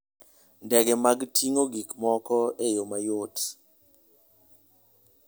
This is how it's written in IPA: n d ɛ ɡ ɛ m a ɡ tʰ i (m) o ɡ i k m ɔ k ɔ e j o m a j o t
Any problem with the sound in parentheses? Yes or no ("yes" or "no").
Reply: yes